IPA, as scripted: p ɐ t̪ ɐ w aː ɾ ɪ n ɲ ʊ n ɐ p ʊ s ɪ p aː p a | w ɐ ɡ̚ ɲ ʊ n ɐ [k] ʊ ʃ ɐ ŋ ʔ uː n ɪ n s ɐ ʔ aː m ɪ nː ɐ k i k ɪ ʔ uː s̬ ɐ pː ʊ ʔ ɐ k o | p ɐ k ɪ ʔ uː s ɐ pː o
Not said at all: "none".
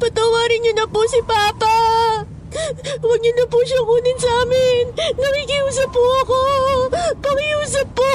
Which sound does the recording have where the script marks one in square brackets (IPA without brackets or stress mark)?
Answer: p